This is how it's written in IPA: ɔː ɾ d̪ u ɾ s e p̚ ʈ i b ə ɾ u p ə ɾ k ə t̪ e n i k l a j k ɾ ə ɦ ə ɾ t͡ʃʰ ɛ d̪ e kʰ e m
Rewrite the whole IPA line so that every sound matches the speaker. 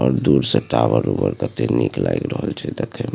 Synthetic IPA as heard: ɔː ɾ d̪ u ɾ s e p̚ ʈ a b ə ɾ u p ə ɾ k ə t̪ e n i k l a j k ɾ ə ɦ ə l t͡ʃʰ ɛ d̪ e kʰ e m